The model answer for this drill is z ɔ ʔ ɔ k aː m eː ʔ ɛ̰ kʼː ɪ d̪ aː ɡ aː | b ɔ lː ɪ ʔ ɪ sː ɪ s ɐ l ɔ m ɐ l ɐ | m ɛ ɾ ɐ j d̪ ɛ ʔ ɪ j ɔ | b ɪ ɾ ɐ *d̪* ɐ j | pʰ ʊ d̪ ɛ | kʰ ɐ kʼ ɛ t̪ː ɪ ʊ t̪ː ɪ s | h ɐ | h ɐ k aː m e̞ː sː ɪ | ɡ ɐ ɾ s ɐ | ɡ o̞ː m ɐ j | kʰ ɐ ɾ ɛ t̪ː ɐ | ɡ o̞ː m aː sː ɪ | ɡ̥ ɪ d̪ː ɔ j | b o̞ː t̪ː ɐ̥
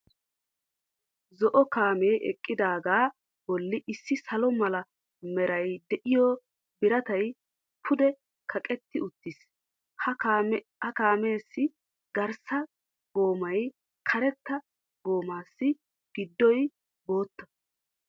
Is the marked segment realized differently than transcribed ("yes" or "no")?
yes